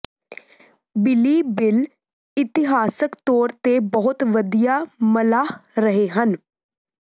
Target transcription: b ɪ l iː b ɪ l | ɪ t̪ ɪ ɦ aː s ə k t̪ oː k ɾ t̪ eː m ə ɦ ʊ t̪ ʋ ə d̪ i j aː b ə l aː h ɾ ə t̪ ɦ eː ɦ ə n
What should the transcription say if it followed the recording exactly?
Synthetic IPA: b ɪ l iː b ɪ l | ɪ t̪ ɪ ɦ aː s ə k t̪ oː ɾ t̪ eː b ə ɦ ʊ t̪ ʋ ə d̪ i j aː m ə l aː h ɾ ə ɦ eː ɦ ə n